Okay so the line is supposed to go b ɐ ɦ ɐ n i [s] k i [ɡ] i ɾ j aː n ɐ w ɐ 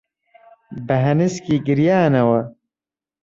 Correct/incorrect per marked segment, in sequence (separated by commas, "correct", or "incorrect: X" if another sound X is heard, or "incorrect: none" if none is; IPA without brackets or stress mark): correct, correct